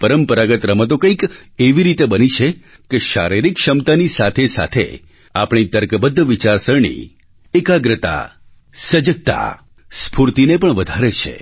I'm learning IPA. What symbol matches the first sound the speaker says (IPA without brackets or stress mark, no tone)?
p